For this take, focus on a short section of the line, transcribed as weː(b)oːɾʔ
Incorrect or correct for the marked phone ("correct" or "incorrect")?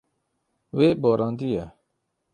correct